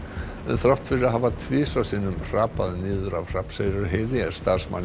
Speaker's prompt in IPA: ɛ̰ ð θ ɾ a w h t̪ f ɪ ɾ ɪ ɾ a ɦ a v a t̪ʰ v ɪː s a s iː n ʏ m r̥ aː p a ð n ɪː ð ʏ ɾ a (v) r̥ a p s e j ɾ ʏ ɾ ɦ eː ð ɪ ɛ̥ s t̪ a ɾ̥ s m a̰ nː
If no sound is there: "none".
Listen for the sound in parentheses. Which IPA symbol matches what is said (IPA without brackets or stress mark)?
v